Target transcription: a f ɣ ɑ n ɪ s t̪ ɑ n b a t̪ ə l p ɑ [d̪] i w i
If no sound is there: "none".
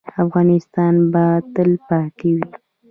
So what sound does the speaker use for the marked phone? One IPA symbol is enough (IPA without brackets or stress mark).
t̪